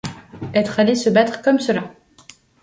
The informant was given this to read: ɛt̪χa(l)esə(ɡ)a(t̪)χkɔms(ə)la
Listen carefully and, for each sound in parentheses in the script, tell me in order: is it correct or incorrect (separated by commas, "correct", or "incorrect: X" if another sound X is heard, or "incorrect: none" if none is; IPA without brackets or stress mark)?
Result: correct, incorrect: b, correct, correct